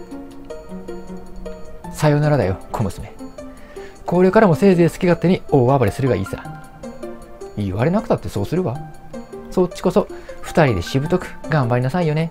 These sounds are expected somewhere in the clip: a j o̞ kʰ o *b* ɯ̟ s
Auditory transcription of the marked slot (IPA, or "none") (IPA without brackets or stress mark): m